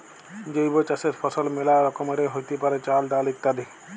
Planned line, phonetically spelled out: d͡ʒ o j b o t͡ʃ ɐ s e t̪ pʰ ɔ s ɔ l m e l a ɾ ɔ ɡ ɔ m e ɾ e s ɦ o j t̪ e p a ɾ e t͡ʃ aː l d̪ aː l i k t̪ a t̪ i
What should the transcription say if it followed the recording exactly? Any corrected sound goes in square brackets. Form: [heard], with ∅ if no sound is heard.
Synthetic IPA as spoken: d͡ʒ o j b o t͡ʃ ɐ s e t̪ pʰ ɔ s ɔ l m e l a ɾ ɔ [k] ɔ m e ɾ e [∅] ɦ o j t̪ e p a ɾ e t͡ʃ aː l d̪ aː l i k t̪ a [d̪] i